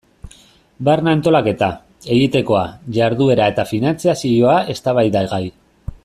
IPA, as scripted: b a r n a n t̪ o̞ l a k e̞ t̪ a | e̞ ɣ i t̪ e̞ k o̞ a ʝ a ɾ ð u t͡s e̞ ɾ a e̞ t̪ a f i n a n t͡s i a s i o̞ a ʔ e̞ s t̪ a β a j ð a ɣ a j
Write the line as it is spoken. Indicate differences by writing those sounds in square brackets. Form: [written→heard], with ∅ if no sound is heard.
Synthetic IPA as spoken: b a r n a n t̪ o̞ l a k e̞ t̪ a | e̞ ɣ i t̪ e̞ k o̞ a ʝ a ɾ ð u [t͡s→∅] e̞ ɾ a e̞ t̪ a f i n a n t͡s i a s i o̞ a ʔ e̞ s t̪ a β a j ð a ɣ a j